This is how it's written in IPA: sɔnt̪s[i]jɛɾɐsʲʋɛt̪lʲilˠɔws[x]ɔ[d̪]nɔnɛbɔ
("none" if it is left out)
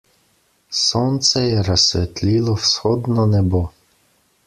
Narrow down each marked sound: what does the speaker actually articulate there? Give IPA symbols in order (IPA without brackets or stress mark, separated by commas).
ɛ, x, d̪